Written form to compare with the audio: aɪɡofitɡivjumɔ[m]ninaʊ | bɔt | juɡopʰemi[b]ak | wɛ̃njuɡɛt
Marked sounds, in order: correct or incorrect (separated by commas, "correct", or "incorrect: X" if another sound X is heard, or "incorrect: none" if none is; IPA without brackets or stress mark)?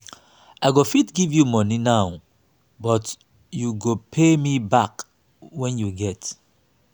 incorrect: none, correct